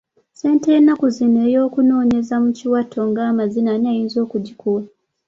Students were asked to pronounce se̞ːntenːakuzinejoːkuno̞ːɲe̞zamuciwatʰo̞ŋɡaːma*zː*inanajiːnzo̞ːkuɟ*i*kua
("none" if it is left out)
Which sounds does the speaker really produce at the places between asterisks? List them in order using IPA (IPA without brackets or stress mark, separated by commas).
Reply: z, i